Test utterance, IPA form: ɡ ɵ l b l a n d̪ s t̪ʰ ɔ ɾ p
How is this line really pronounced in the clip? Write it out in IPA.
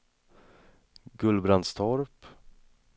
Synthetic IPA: ɡ ɵ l b ɾ a n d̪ s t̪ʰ ɔ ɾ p